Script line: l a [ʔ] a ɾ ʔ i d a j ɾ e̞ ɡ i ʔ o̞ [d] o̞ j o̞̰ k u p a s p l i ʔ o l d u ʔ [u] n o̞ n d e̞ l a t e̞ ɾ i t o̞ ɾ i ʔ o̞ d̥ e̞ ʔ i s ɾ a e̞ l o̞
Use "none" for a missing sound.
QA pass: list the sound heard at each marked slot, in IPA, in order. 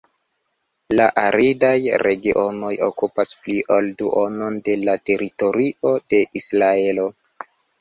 ʔ, n, o

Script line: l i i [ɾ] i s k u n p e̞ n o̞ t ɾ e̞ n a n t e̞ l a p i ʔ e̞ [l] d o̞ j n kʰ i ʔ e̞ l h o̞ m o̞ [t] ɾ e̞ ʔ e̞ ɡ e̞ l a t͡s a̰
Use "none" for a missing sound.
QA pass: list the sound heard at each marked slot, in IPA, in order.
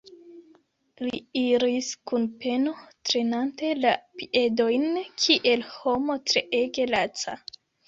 ɾ, none, t

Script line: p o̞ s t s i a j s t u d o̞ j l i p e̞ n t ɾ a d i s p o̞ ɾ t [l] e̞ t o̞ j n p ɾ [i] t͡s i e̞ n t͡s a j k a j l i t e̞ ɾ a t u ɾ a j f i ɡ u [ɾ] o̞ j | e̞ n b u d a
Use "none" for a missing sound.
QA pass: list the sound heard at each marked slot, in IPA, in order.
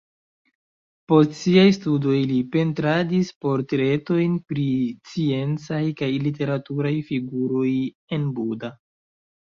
ɾ, i, ɾ

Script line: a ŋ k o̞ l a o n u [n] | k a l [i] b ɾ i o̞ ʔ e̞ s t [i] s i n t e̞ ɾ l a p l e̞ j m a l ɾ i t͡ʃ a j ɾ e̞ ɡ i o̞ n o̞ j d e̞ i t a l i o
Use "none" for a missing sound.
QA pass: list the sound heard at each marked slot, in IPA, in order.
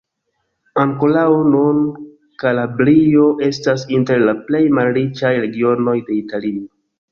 n, a, a

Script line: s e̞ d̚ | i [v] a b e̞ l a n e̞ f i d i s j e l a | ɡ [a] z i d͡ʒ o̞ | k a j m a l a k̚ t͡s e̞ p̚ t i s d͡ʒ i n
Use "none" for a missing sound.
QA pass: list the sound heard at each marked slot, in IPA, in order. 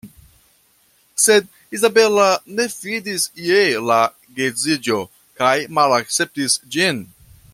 z, e

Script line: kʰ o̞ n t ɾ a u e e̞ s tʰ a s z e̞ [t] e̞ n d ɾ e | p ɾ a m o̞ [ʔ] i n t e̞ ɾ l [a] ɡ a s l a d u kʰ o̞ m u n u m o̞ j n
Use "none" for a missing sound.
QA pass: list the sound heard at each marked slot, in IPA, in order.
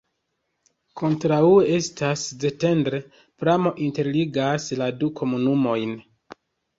t, ʔ, i

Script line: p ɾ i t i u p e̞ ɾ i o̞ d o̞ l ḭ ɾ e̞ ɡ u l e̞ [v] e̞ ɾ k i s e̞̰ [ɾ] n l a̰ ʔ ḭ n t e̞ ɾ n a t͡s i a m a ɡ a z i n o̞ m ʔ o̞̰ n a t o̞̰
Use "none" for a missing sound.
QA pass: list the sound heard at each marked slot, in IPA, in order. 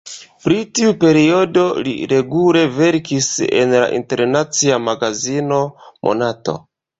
v, none

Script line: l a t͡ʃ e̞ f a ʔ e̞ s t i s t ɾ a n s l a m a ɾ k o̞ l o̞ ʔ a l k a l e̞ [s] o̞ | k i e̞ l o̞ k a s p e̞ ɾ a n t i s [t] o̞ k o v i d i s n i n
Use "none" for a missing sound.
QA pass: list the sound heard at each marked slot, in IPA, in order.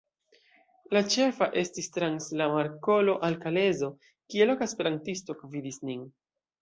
z, t

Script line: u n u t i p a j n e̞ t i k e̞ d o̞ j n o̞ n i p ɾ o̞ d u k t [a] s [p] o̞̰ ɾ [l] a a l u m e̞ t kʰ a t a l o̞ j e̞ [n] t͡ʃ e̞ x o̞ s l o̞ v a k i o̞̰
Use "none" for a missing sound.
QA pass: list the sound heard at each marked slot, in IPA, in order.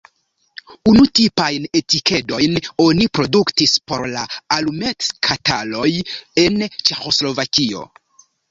i, p, l, n

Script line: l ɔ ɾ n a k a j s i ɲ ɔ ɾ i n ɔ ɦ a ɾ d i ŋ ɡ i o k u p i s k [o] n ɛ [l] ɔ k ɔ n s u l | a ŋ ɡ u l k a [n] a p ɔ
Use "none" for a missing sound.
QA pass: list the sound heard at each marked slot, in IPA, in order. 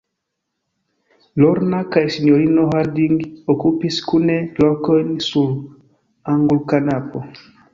u, l, n

